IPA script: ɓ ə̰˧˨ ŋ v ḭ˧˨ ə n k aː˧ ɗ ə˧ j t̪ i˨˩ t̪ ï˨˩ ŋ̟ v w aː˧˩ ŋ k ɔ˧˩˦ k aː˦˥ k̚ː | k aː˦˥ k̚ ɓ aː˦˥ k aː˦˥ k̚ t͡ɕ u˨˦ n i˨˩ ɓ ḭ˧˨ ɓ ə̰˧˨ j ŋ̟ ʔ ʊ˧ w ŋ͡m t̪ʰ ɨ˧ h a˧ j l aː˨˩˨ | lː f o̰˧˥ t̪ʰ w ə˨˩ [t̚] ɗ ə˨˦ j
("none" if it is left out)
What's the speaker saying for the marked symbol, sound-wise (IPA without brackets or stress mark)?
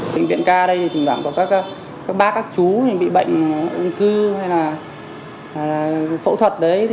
t̚